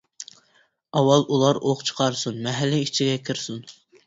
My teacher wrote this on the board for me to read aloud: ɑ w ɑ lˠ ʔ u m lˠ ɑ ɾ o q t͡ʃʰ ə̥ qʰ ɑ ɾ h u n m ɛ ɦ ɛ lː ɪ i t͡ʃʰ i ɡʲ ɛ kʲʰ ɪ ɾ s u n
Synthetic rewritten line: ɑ w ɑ lˠ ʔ u lˠ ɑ ɾ o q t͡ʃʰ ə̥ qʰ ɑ ɾ s u n m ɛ ɦ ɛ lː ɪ i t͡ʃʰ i ɡʲ ɛ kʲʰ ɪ ɾ s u n